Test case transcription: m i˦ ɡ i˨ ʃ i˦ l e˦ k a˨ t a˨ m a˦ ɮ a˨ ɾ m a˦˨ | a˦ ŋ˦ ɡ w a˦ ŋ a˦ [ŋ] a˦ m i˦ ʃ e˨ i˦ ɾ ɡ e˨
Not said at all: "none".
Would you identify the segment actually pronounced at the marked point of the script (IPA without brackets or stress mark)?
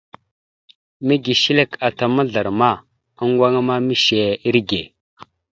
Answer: m